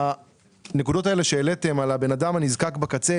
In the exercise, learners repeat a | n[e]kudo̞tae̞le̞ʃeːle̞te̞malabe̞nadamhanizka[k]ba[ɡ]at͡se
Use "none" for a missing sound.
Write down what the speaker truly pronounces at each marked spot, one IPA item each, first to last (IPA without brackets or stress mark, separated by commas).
e, k, k